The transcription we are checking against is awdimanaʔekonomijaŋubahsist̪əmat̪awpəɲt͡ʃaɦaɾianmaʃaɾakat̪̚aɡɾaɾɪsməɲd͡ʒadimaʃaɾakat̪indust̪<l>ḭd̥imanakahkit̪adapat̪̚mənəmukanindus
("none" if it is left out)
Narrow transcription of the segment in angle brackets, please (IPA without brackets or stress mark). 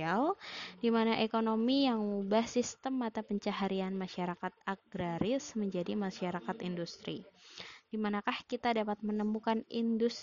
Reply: ɾ